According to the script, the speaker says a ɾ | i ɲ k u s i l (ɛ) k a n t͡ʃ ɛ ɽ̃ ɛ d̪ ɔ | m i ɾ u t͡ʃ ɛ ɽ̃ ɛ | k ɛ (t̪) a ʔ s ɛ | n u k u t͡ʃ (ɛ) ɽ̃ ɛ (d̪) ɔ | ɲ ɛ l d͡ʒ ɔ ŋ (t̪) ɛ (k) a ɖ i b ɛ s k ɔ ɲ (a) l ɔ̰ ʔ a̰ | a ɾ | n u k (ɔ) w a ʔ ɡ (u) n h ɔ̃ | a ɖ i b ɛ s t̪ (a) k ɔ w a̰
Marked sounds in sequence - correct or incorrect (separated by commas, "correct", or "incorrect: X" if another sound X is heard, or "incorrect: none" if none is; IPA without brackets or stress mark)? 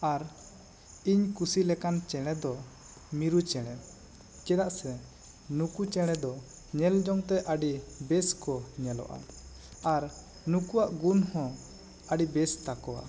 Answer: correct, incorrect: d̪, correct, correct, correct, incorrect: ʔ, incorrect: ɛ, incorrect: u, correct, correct